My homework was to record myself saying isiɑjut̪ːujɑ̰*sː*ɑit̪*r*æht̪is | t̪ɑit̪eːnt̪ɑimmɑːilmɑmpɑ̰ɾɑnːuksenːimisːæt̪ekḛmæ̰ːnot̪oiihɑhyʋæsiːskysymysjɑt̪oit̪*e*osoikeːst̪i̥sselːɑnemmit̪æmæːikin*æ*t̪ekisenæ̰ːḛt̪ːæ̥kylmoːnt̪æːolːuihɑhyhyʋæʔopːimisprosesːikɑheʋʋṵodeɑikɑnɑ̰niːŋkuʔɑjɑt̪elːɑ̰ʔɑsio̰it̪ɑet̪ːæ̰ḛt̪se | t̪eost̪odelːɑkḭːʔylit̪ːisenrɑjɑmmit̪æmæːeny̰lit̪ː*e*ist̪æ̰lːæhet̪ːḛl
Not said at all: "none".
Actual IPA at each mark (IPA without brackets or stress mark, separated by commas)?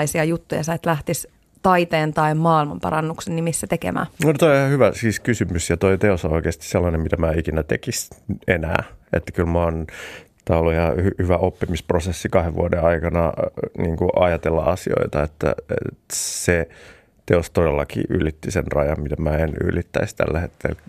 s, l, e, æ, æ